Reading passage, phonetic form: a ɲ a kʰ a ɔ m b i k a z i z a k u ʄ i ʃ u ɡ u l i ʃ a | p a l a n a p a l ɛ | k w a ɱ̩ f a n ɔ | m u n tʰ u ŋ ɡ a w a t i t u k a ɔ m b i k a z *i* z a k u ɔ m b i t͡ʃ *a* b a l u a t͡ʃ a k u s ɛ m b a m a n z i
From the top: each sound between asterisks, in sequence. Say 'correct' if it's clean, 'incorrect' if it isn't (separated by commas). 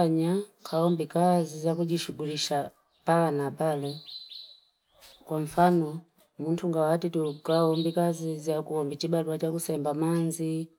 correct, incorrect